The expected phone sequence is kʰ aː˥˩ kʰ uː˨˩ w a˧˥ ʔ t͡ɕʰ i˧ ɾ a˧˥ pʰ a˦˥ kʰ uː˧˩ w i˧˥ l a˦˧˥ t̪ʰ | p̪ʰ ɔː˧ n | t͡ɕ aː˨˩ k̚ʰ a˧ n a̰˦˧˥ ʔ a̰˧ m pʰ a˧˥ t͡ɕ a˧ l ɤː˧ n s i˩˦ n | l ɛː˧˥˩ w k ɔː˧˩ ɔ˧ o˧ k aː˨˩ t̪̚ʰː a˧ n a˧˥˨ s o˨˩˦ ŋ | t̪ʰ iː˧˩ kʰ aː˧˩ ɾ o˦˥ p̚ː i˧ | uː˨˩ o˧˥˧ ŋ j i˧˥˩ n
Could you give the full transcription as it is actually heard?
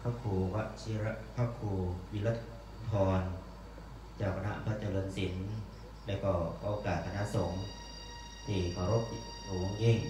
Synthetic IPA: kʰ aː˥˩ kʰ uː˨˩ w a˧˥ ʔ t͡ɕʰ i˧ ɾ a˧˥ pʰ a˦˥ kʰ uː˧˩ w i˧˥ l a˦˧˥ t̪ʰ | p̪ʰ ɔː˧ n | t͡ɕ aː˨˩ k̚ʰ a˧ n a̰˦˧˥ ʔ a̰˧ m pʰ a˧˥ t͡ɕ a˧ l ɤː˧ n s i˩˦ n | l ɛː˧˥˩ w k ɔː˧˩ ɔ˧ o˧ k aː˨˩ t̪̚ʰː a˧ n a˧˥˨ s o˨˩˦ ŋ | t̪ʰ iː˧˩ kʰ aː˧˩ ɾ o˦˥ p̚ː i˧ | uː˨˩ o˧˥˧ ŋ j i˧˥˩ ŋ